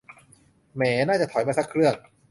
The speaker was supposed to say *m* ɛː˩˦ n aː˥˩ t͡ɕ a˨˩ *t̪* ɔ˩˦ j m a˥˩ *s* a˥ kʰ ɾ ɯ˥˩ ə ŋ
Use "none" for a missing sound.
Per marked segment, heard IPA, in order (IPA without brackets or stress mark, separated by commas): m, t̪ʰ, s